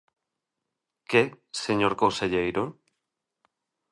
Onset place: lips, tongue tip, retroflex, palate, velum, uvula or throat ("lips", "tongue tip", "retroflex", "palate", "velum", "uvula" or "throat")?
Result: velum